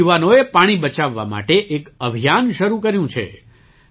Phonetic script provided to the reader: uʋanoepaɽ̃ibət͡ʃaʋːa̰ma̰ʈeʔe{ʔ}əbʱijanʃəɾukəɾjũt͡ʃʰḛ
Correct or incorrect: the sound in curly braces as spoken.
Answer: incorrect: k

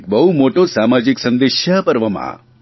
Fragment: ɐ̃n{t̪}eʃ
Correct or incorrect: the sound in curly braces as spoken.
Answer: incorrect: d̪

